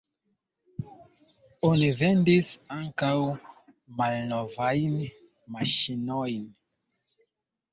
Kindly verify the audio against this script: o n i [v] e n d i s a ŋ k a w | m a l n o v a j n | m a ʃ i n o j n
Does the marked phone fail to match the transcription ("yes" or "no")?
no